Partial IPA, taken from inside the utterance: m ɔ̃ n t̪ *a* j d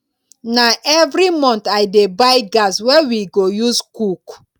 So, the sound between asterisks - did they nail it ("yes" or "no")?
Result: yes